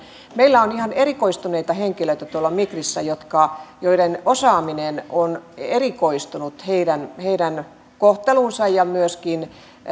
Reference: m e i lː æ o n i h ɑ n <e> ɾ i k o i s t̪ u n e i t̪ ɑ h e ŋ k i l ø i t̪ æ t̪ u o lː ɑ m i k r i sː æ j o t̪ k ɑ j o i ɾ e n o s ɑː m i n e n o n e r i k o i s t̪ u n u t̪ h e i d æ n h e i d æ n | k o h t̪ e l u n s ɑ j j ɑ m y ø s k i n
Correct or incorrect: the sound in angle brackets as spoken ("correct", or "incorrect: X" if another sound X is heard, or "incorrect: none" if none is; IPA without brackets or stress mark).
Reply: correct